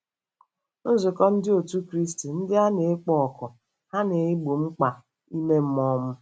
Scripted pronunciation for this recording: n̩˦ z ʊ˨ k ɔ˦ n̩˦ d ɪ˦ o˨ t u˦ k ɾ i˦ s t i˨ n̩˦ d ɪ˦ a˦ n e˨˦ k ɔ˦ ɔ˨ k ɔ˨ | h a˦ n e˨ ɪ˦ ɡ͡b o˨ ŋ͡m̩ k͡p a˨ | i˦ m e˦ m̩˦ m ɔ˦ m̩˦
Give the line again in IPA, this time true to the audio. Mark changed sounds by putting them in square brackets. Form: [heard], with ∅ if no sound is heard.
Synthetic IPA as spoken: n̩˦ z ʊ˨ k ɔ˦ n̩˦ d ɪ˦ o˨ t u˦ k ɾ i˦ s t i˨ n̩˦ d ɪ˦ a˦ n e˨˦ [k͡p] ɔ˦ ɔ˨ k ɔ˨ | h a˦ n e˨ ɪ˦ ɡ͡b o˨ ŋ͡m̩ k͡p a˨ | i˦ m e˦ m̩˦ m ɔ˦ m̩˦